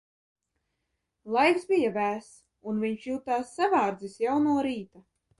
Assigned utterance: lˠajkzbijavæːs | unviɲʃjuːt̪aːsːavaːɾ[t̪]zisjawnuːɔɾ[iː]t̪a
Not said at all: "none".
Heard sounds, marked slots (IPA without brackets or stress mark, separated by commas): d̪, iː